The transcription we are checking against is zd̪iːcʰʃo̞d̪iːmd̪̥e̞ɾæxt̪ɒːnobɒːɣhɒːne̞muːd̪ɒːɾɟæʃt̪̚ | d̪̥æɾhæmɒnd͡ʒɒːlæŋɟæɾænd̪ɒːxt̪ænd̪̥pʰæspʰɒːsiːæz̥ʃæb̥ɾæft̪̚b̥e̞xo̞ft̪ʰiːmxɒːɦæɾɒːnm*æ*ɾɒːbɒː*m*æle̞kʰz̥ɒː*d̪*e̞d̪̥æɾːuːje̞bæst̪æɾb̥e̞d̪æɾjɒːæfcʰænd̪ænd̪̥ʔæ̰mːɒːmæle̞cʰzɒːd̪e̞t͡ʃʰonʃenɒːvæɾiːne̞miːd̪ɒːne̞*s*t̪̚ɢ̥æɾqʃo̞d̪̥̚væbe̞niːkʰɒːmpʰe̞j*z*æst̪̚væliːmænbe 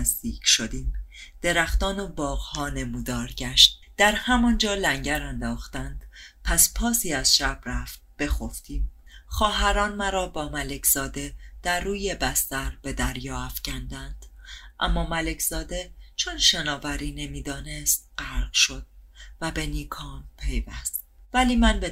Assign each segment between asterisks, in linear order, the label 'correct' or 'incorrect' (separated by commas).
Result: correct, correct, correct, correct, incorrect